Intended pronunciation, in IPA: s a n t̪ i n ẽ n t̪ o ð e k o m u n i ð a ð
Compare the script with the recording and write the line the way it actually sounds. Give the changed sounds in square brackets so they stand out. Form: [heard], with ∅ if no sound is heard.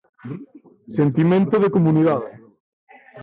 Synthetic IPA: s [e] n t̪ i [m] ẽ n t̪ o ð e k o m u n i ð a ð